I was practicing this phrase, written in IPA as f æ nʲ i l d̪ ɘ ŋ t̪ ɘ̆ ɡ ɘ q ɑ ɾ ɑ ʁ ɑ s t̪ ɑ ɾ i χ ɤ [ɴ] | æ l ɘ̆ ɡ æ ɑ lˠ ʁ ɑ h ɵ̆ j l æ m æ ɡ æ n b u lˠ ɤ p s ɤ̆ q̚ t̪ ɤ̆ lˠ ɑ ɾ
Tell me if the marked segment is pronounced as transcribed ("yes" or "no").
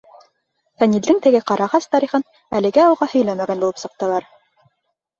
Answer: no